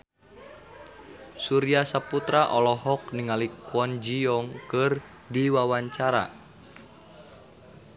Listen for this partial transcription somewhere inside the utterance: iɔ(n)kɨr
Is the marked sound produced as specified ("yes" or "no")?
no